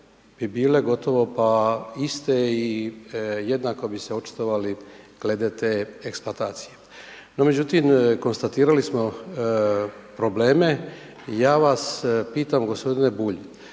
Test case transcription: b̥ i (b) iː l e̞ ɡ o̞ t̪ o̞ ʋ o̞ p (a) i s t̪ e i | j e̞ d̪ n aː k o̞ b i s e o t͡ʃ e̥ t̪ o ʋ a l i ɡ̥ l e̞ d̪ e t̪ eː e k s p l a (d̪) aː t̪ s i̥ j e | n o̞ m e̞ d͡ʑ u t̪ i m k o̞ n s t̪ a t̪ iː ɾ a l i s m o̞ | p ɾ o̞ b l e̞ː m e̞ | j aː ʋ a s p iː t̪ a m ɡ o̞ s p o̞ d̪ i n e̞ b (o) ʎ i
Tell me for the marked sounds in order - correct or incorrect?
correct, correct, incorrect, incorrect

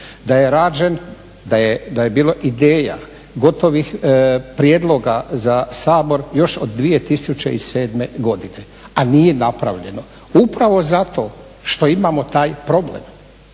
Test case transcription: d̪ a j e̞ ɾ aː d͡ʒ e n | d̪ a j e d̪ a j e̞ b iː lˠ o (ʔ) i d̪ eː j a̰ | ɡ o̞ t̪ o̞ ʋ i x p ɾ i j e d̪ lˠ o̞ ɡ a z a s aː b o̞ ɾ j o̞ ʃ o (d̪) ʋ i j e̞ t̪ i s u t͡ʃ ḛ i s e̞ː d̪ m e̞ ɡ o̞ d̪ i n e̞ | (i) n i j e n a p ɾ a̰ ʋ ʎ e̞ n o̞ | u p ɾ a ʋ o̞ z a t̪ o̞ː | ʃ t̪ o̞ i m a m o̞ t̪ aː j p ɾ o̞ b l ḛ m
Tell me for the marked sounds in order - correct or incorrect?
correct, incorrect, incorrect

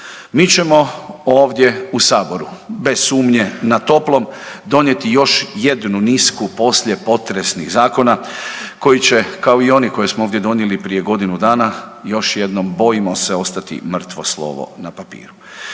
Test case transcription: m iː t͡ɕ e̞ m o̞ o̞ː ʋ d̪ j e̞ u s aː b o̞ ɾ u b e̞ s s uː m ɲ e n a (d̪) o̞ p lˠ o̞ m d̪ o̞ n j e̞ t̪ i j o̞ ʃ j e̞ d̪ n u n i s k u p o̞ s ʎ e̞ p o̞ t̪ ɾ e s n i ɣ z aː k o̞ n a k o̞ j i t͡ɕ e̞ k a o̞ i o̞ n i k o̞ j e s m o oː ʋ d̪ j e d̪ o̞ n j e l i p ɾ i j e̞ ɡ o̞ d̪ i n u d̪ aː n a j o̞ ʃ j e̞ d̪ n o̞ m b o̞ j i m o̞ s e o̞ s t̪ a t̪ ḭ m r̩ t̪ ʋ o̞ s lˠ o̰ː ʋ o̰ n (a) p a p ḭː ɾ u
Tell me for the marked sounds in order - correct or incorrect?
incorrect, correct

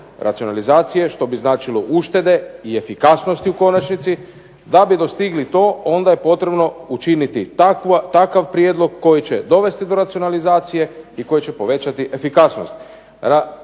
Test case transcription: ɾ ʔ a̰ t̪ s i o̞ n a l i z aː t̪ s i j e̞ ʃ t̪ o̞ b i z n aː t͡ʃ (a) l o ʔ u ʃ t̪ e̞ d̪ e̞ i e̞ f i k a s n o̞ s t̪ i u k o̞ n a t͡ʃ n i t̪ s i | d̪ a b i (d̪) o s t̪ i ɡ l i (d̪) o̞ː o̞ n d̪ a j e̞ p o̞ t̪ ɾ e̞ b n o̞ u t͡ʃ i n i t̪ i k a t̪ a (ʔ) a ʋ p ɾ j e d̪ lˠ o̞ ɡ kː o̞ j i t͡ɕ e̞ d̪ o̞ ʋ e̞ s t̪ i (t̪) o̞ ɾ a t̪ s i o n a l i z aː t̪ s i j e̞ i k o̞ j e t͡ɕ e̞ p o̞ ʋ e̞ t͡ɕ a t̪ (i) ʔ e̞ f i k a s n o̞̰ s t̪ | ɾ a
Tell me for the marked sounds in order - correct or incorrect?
incorrect, correct, incorrect, incorrect, incorrect, correct

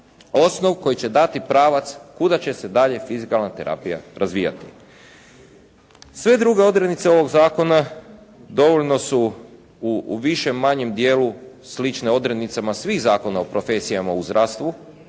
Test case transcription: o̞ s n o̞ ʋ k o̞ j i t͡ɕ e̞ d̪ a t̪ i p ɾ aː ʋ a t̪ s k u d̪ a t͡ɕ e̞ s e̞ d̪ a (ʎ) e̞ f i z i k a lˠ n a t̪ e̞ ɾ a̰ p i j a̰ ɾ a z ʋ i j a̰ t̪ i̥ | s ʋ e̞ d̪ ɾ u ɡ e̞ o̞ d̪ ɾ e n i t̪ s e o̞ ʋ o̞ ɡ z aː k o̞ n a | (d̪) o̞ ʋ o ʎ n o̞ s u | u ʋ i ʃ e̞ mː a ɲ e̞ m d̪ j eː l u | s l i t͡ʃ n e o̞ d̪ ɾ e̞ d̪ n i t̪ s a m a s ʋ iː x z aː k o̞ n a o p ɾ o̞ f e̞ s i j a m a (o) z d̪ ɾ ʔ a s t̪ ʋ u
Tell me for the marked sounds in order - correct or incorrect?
correct, correct, incorrect

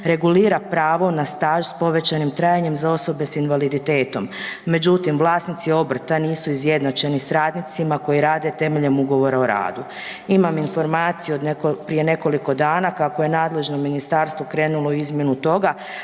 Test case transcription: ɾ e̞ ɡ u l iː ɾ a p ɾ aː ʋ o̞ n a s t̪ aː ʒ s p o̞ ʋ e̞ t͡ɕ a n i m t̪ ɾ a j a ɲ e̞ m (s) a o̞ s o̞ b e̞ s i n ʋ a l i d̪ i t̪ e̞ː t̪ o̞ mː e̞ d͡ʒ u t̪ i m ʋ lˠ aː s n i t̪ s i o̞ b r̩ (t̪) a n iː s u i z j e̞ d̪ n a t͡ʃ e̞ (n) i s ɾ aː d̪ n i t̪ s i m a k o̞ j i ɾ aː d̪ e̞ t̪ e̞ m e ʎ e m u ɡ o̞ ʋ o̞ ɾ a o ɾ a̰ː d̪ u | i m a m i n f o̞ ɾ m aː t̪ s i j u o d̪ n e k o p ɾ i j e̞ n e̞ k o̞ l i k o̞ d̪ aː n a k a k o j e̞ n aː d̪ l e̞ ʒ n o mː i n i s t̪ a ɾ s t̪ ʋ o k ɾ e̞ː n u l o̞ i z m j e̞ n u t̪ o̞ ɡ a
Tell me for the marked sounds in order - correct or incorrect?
incorrect, correct, correct

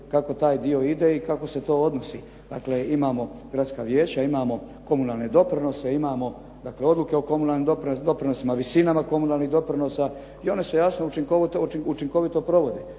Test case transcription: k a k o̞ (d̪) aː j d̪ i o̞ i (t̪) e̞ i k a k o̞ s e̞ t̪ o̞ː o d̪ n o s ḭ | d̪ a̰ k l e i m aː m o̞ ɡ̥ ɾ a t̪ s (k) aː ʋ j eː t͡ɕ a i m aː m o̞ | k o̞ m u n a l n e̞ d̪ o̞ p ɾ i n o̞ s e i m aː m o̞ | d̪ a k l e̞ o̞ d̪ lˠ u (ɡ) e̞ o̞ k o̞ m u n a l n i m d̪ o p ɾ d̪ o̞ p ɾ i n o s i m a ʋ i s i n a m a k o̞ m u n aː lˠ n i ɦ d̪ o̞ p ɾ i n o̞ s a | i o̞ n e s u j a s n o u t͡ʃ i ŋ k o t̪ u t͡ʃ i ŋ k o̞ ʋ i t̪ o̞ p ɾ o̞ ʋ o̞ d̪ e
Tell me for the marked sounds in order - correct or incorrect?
incorrect, incorrect, correct, incorrect

